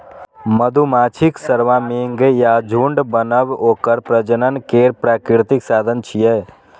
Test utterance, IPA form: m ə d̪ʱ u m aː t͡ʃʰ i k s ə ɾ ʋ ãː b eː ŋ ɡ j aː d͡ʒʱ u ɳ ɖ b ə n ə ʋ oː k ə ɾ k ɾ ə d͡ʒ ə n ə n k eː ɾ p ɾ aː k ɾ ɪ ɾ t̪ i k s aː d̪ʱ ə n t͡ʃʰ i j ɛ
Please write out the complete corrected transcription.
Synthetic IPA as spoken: m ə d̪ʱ u m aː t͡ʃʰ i k s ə ɾ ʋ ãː m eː ŋ ɡ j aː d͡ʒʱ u ɳ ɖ b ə n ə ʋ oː k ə ɾ p ɾ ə d͡ʒ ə n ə n k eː ɾ p ɾ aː k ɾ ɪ ɾ t̪ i k s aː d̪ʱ ə n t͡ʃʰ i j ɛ